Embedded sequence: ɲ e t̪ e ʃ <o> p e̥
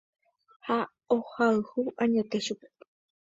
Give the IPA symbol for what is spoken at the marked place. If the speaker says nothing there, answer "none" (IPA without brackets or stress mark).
u